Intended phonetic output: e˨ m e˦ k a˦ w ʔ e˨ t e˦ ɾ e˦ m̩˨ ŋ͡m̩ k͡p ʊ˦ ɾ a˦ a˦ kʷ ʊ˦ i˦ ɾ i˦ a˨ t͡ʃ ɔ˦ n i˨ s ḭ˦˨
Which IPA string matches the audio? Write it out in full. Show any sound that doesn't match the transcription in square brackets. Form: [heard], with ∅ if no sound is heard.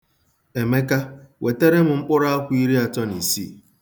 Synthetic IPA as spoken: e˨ m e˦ k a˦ w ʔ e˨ t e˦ ɾ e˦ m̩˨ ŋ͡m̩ k͡p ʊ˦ ɾ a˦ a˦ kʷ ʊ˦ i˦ ɾ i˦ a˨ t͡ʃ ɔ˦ n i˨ s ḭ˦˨

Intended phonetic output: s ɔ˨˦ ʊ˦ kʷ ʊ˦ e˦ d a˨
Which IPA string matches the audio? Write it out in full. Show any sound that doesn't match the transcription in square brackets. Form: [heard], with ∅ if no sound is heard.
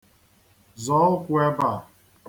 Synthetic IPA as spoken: [z] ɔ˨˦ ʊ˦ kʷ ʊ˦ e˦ [b] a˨

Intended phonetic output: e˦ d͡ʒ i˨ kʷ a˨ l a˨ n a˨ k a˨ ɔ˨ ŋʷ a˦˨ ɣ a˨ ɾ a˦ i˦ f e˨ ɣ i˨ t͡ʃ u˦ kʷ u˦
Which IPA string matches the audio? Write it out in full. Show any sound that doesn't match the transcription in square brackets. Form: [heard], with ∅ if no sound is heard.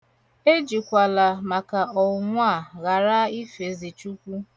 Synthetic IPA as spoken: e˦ d͡ʒ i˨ kʷ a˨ l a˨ [m] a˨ k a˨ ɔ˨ ŋʷ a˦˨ ɣ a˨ ɾ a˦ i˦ f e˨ [z] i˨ t͡ʃ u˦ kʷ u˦

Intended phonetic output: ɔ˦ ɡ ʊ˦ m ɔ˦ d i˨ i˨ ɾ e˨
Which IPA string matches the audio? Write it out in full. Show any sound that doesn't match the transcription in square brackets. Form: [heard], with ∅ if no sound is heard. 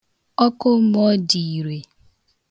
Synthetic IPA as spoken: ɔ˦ [k] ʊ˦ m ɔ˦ d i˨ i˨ ɾ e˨

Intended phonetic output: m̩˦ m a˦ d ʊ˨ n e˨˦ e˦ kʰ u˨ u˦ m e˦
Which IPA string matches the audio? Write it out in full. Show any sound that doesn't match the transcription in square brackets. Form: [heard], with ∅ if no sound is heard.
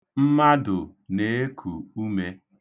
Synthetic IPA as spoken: m̩˦ m a˦ d ʊ˨ n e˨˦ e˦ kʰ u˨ u˦ m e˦

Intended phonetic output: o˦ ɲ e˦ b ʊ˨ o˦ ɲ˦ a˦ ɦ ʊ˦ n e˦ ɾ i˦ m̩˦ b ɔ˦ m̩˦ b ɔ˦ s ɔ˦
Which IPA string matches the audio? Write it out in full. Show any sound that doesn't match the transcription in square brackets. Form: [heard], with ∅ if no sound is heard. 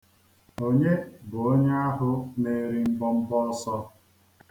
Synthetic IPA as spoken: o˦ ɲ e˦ b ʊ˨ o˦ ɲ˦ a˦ ɦ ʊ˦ n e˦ ɾ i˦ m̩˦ b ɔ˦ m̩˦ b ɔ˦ s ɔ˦

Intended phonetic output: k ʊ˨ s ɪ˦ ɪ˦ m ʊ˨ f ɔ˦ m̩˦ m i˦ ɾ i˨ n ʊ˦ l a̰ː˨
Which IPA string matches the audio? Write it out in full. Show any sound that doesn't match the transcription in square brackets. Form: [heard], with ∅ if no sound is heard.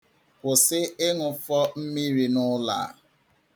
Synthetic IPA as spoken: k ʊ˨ s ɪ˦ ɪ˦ [ŋ] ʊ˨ f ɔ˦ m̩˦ m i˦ ɾ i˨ n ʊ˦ l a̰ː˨

